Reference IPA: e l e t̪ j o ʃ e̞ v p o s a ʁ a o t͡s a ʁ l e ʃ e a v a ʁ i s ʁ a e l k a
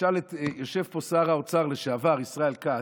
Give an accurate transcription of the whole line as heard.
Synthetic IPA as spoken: a l e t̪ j o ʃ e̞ v p o s a ʁ a o t͡s a ʁ l e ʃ e a v a ʁ i s ʁ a e l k a